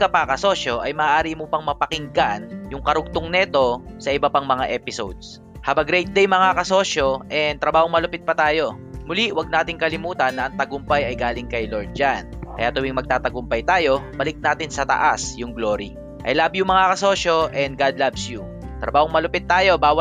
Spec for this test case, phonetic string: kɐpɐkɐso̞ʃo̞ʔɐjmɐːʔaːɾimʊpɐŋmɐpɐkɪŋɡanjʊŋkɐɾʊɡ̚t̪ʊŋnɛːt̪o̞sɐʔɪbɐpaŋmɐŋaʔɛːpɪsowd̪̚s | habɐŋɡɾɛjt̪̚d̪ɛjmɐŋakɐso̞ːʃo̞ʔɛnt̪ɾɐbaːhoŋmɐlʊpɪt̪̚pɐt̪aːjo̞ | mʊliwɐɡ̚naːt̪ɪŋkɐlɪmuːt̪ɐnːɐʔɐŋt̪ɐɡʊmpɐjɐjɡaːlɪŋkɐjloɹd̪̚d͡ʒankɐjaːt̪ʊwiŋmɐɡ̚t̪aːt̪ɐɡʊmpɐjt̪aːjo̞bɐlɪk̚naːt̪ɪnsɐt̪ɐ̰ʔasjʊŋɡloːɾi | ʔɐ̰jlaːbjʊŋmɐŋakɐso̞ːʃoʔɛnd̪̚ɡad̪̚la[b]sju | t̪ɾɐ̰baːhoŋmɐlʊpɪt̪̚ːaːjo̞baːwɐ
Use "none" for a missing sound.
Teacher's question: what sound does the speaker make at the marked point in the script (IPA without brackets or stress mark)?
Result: b